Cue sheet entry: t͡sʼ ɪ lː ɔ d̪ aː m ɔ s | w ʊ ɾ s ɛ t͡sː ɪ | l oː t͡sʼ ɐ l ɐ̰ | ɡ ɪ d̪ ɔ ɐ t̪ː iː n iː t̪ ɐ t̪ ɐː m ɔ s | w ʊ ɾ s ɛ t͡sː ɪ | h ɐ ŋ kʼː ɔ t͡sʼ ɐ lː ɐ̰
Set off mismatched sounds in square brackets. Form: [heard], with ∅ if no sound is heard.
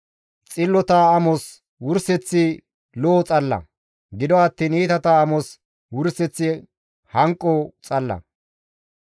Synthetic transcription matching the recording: t͡sʼ ɪ lː ɔ [t̪] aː m ɔ s | w ʊ ɾ s ɛ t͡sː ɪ | l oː t͡sʼ ɐ [lː] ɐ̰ | ɡ ɪ d̪ ɔ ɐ t̪ː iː n iː t̪ ɐ t̪ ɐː m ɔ s | w ʊ ɾ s ɛ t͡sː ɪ | h ɐ ŋ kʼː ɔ t͡sʼ ɐ lː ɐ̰